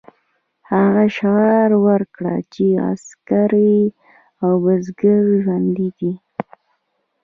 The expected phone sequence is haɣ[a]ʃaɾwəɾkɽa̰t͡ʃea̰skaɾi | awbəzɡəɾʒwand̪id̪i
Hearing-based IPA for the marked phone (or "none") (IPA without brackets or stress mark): a